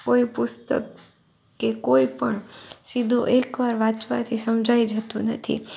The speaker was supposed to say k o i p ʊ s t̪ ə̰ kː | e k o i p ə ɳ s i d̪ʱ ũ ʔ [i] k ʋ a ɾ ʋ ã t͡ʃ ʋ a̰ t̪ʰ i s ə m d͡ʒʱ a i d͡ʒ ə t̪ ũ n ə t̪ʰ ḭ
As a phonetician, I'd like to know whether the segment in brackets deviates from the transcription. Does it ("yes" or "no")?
yes